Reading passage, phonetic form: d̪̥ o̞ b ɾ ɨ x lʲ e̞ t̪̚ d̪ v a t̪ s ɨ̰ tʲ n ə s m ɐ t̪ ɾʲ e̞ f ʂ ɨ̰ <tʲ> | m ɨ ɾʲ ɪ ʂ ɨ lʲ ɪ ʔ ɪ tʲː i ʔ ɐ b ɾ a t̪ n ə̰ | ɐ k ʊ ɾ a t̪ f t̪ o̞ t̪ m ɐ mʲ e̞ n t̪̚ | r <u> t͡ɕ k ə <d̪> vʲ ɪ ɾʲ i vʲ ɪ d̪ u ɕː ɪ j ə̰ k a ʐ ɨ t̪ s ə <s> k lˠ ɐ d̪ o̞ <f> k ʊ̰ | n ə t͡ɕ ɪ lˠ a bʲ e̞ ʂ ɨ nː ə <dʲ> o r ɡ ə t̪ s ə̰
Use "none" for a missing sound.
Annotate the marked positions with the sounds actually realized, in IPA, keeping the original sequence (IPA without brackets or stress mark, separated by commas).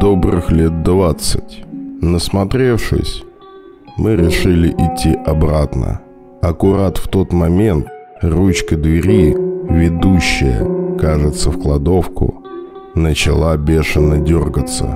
sʲ, u, d̪, f, f, dʲ